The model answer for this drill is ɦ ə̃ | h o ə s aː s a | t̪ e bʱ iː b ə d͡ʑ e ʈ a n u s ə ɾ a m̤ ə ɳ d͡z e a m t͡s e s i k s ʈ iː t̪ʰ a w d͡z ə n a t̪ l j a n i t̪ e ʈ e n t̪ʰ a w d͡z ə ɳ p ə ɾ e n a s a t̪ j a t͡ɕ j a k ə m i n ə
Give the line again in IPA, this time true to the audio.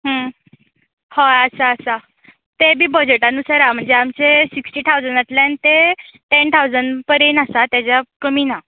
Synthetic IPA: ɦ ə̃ | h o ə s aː s a | t̪ e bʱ iː b ə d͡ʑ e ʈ a n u s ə ɾ a m̤ ə ɳ d͡z e a m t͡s e s i k s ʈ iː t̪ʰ a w d͡z ə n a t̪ l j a n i t̪ e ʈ e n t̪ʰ a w d͡z ə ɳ p ə ɾ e n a s a t̪ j a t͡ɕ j a k ə m i n a